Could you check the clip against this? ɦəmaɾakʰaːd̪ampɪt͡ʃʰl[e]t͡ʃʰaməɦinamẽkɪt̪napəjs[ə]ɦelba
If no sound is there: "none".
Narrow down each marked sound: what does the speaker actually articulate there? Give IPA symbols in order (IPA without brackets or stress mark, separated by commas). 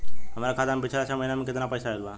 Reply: a, a